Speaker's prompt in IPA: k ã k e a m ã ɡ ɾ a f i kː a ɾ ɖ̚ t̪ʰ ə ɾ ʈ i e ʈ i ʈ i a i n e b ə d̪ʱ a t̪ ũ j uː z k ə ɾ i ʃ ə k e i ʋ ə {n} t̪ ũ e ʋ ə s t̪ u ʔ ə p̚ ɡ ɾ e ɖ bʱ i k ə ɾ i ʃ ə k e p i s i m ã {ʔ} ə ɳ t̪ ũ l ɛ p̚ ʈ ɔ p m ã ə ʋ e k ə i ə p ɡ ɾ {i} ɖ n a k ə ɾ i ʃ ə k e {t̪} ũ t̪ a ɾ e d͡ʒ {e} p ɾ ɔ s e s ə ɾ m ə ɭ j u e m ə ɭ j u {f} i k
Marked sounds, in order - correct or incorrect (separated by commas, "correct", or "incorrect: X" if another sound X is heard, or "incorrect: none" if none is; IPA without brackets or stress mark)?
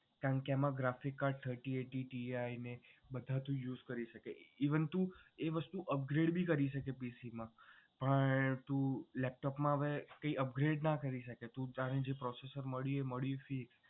correct, incorrect: p, incorrect: e, correct, correct, correct